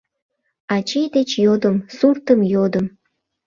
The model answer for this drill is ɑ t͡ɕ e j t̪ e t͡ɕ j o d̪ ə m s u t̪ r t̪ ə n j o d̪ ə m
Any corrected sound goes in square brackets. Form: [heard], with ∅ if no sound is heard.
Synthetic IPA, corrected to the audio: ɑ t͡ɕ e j [d̪] e t͡ɕ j o d̪ ə m s u [∅] r t̪ ə [m] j o d̪ ə m

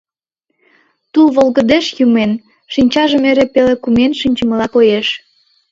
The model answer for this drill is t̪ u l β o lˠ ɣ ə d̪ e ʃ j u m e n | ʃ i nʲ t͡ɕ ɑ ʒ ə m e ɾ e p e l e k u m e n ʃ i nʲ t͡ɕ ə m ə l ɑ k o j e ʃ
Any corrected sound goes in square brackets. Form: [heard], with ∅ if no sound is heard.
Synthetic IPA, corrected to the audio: t̪ u l β o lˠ ɣ ə d̪ e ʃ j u m e n | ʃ i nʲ t͡ɕ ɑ ʒ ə m e ɾ e p e l e k u m e n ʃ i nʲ t͡ɕ ə m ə l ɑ k o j e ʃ

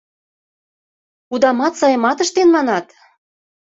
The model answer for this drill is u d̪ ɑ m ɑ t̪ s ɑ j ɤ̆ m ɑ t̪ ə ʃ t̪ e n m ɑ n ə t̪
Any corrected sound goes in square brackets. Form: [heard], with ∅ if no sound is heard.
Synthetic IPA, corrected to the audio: u d̪ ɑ m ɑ t̪ s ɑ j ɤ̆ m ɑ t̪ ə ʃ t̪ e n m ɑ n [ɑ] t̪

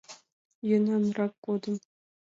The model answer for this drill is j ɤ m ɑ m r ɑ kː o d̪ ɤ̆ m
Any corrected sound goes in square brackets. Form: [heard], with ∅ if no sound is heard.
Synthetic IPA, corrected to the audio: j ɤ [n] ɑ [n] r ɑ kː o d̪ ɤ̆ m

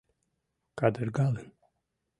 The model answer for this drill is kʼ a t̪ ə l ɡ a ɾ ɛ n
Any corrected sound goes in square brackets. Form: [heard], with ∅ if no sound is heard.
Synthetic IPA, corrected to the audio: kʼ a [d̪] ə [ɾ] ɡ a [l] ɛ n

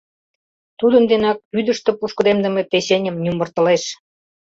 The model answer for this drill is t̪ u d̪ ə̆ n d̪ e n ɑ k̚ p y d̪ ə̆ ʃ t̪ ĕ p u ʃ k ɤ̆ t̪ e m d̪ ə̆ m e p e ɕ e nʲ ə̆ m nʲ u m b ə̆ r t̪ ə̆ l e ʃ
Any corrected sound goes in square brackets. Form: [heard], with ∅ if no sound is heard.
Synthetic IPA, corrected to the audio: t̪ u d̪ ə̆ n d̪ e n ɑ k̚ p y d̪ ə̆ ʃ t̪ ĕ p u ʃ k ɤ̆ [d̪] e m d̪ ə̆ m e p e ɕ e nʲ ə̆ m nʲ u m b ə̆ r t̪ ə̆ l e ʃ

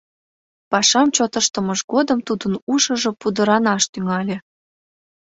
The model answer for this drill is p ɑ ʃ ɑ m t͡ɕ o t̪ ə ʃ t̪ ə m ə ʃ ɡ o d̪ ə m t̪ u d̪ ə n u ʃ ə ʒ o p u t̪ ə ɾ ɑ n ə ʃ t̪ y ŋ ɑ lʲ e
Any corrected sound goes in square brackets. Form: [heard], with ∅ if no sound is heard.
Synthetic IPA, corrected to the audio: p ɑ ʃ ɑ m t͡ɕ o t̪ ə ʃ t̪ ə m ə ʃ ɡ o d̪ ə m t̪ u d̪ ə n u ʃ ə ʒ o p u [d̪] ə ɾ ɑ n [ɑ] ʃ t̪ y ŋ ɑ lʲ e

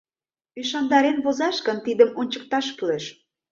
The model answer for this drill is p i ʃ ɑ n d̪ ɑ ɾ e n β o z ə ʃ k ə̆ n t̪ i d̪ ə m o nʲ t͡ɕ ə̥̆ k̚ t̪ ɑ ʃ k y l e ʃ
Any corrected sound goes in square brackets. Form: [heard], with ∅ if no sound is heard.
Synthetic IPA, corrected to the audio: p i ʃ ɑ n d̪ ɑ ɾ e n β o z [ɑ] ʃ k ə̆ n t̪ i d̪ ə m o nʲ t͡ɕ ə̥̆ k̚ t̪ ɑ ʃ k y l e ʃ

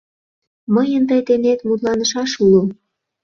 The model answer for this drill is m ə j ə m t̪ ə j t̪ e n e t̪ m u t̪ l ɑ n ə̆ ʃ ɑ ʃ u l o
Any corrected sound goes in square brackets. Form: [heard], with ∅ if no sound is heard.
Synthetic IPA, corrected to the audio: m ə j ə [n] t̪ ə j t̪ e n e t̪ m u t̪ l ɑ n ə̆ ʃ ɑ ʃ u l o

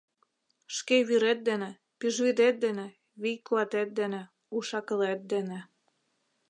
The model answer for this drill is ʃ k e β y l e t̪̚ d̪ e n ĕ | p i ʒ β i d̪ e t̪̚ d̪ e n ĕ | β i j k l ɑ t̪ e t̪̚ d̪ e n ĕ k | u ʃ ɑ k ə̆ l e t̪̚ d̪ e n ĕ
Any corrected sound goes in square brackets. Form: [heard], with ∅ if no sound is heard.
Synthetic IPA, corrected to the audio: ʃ k e β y [ɾ] e t̪̚ d̪ e n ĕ | p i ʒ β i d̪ e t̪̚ d̪ e n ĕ | β i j k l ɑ t̪ e t̪̚ d̪ e n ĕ [∅] | u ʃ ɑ k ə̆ l e t̪̚ d̪ e n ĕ

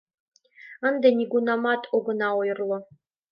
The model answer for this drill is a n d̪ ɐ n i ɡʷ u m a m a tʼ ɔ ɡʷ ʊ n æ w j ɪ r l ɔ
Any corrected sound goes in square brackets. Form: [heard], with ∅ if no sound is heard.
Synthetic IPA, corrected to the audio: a n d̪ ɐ n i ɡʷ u [n] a m a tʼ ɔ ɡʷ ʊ n [a] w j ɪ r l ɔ

